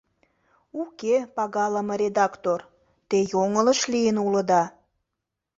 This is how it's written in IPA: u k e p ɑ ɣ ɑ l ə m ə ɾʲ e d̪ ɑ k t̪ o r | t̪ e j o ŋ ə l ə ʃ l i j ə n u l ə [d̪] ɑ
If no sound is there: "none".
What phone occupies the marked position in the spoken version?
d̪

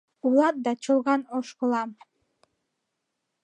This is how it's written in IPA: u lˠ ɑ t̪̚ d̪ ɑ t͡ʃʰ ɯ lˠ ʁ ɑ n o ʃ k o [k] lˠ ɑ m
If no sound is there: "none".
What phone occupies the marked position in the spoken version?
none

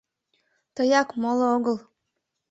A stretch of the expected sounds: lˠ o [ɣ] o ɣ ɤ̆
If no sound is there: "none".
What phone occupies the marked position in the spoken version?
none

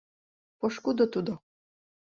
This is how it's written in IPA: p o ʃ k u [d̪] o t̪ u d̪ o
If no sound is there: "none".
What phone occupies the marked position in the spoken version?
d̪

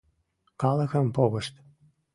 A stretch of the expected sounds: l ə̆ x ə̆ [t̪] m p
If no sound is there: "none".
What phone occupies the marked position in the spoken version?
none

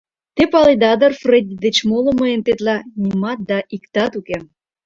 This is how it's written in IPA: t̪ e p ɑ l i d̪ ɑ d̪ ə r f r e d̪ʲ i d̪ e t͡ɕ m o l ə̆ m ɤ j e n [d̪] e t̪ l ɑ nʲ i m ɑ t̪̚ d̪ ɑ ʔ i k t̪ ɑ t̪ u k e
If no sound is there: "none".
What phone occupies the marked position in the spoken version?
t̪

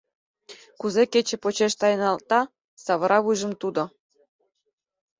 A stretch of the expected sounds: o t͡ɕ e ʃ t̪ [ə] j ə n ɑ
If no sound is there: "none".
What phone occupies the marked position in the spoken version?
ɑ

